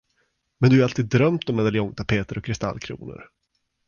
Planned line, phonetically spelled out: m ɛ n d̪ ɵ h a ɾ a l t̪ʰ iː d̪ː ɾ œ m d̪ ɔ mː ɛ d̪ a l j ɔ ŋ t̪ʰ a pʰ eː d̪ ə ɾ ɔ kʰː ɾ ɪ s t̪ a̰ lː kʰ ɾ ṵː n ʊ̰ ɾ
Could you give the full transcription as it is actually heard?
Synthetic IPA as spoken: m ɛ n d̪ ɵ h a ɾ a l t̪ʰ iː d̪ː ɾ œ m t̪ ɔ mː ɛ d̪ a l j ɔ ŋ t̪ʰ a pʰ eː t̪ ə ɾ ɔ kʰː ɾ ɪ s t̪ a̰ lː kʰ ɾ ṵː n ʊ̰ ɾ